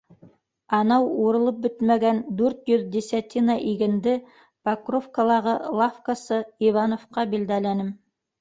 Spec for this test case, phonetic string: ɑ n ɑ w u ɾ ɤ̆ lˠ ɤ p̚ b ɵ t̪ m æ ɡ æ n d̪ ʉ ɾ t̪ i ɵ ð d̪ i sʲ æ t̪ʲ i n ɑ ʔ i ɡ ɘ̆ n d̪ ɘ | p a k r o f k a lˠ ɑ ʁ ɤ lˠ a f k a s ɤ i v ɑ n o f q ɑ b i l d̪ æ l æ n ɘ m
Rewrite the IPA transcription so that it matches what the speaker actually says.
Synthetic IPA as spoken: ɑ n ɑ w u ɾ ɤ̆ lˠ ɤ p̚ b ɵ t̪ m æ ɡ æ n d̪ ʉ ɾ t̪ j ɵ ð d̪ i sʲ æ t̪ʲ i n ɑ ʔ i ɡ ɘ̆ n d̪ ɘ | p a k r o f k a lˠ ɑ ʁ ɤ lˠ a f k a s ɤ i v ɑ n o f q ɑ b i l d̪ æ l æ n ɘ m